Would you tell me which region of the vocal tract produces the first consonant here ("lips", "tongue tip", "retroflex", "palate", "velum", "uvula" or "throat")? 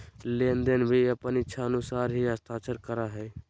tongue tip